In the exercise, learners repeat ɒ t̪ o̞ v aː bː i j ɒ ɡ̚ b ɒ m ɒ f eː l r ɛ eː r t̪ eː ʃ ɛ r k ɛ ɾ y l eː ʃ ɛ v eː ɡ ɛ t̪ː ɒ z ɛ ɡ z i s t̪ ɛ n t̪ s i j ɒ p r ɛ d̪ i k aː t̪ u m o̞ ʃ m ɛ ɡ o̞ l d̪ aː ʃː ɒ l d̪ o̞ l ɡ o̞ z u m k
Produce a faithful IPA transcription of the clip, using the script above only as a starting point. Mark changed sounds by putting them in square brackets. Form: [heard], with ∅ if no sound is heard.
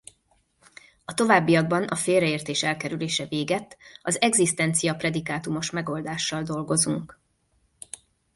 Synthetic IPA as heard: ɒ t̪ o̞ v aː bː i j ɒ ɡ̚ b ɒ [n] ɒ f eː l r ɛ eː r t̪ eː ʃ ɛ [l] k ɛ ɾ y l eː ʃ ɛ v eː ɡ ɛ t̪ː ɒ z ɛ ɡ z i s t̪ ɛ n t̪ s i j ɒ p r ɛ d̪ i k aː t̪ u m o̞ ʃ m ɛ ɡ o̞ l d̪ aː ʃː ɒ l d̪ o̞ l ɡ o̞ z u [ŋ] k